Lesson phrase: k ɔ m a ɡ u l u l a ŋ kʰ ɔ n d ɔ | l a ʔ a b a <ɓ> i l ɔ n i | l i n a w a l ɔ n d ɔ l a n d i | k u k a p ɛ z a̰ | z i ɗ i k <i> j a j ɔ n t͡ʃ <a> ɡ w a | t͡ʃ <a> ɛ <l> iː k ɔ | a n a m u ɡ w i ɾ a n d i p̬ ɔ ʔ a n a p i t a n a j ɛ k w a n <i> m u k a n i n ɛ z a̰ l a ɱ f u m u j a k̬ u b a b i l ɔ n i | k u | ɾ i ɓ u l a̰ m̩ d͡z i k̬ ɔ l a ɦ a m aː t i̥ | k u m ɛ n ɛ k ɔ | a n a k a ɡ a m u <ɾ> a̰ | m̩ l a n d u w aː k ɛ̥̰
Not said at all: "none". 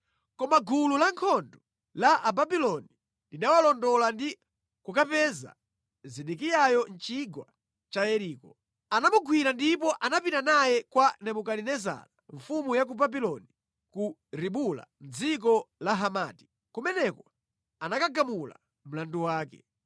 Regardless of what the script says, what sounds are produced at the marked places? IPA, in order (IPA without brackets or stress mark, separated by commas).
b, i, i, a, ɾ, ɛ, l